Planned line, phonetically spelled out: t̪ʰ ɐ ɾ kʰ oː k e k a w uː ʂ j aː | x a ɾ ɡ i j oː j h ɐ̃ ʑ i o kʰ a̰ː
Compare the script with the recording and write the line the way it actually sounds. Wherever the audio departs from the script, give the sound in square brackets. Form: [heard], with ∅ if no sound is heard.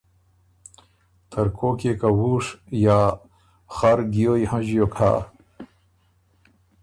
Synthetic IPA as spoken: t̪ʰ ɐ ɾ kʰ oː k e k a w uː ʂ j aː | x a ɾ ɡ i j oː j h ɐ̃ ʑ [j] o kʰ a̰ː